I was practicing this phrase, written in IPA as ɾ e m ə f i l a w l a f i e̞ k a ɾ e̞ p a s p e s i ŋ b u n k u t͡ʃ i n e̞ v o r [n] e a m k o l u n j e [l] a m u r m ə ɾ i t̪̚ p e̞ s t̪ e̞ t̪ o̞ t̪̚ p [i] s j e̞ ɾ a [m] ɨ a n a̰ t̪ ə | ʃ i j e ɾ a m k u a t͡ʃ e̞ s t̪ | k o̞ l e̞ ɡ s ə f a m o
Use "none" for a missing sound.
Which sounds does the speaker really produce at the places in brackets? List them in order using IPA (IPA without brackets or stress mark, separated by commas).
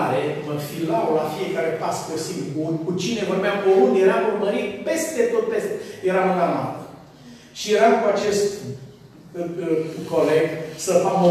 m, ɾ, e, m